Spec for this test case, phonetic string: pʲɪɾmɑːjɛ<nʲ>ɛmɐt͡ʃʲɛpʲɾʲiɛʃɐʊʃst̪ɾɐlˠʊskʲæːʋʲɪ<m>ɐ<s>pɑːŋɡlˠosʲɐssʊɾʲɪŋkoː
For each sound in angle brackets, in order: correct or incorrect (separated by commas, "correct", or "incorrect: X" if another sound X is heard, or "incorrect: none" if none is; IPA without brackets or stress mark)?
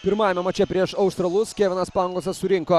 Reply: incorrect: mʲ, incorrect: n, correct